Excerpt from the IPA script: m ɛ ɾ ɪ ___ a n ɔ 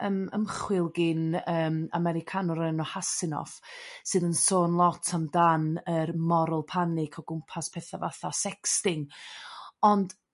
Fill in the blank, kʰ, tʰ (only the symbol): kʰ